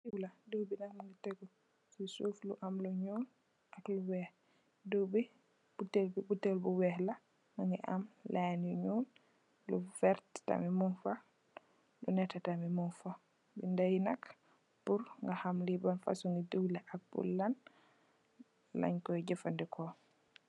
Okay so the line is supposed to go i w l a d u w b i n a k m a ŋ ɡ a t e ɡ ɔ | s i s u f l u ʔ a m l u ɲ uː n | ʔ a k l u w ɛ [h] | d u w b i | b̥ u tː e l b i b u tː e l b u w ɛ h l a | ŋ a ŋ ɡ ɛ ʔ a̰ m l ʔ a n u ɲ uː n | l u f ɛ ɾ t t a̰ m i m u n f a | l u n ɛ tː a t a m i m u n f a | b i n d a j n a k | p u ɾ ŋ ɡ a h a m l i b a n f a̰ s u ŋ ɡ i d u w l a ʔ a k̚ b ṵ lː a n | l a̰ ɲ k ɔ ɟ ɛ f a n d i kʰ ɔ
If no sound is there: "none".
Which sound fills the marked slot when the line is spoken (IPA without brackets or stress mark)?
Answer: h